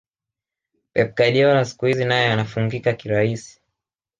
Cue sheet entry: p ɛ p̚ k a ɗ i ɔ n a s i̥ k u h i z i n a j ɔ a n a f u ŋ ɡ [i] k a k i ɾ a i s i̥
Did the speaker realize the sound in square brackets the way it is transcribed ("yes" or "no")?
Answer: yes